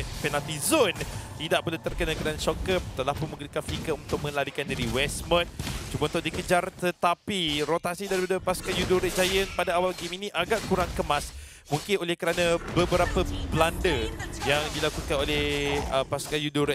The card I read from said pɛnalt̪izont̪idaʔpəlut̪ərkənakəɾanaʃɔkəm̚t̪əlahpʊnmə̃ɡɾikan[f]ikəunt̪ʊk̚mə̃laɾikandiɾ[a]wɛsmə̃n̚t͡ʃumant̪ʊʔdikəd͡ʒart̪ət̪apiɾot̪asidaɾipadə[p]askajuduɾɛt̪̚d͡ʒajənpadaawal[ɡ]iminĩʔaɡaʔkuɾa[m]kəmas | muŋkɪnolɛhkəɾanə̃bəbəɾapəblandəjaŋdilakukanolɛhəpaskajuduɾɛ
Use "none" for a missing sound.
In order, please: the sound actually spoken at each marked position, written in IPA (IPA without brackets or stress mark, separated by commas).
f, i, p, ɡ, ŋ